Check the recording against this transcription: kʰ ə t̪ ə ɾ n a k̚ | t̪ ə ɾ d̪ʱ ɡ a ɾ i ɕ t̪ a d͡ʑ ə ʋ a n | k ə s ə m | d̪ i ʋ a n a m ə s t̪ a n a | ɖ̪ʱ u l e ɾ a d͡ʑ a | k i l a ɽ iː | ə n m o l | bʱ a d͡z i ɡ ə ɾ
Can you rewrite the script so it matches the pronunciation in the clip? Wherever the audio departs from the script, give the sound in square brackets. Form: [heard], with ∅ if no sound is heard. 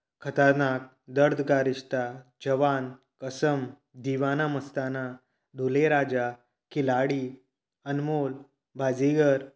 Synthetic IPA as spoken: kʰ ə t̪ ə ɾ n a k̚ | [d̪] ə ɾ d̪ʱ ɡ a ɾ i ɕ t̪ a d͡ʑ ə ʋ a n | k ə s ə m | d̪ i ʋ a n a m ə s t̪ a n a | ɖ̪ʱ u l e ɾ a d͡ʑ a | k i l a ɽ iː | ə n m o l | bʱ a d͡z i ɡ ə ɾ